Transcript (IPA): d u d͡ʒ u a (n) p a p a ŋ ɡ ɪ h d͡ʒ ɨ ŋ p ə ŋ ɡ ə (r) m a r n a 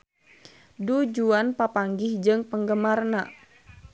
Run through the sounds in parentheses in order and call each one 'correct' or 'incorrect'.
correct, incorrect: none

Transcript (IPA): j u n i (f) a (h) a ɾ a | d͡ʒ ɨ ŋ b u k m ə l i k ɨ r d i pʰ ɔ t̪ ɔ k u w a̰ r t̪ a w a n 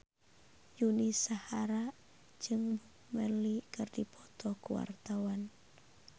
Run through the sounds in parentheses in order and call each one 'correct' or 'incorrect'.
incorrect: s, correct

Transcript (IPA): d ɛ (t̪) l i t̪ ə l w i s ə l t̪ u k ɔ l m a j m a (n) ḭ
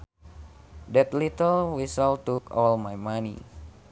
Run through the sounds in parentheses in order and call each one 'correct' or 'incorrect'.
correct, correct

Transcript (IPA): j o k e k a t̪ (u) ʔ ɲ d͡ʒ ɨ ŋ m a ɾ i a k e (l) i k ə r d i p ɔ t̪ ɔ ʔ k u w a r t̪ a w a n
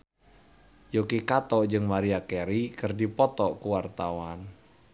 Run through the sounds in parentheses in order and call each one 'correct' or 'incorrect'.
incorrect: ɔ, incorrect: ɾ

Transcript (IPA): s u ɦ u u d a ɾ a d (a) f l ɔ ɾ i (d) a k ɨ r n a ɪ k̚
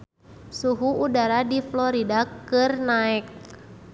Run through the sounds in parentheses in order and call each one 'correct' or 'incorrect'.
incorrect: i, correct

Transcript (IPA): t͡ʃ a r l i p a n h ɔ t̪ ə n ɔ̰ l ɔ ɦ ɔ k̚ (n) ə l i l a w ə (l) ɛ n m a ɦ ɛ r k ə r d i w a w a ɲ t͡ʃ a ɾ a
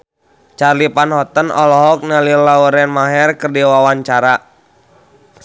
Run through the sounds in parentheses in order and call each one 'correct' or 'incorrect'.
correct, incorrect: ɾ

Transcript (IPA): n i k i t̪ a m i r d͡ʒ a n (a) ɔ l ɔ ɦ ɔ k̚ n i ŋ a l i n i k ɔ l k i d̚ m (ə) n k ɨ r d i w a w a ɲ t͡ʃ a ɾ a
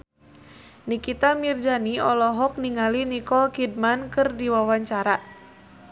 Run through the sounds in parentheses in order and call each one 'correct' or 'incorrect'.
incorrect: i, incorrect: a

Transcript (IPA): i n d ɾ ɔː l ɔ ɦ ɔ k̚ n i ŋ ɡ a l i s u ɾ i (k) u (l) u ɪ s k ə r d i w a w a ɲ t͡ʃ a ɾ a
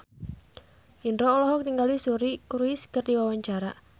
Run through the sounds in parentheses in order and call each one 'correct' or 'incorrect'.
correct, incorrect: ɾ

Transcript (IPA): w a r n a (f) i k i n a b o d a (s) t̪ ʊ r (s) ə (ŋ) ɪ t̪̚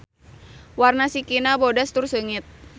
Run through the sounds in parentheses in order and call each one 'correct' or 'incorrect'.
incorrect: s, correct, correct, correct

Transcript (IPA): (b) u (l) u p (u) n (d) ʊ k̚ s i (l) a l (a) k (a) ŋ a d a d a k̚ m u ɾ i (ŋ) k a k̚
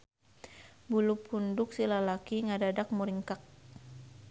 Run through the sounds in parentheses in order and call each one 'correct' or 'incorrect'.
correct, correct, correct, correct, correct, correct, incorrect: i, correct

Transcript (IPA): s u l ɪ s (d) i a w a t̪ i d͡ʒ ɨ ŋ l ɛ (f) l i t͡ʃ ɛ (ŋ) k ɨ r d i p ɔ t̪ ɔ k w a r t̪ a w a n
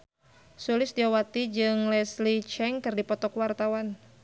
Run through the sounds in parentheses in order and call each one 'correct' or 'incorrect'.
correct, incorrect: s, correct

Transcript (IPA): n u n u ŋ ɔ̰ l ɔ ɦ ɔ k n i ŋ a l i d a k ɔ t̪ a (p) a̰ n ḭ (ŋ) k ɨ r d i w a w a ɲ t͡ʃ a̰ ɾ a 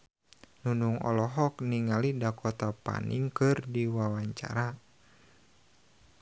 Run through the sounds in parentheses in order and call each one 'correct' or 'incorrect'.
correct, correct

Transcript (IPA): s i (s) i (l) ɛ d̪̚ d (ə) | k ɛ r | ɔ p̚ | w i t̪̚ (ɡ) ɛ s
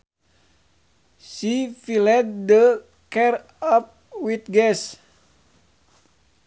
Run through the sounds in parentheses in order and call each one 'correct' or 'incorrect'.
incorrect: f, correct, correct, correct

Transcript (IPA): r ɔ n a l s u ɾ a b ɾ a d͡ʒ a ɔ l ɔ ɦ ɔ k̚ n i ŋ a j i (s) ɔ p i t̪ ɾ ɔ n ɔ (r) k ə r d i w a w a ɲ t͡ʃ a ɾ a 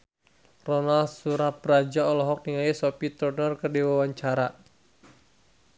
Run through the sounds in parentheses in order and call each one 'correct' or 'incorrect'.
correct, correct

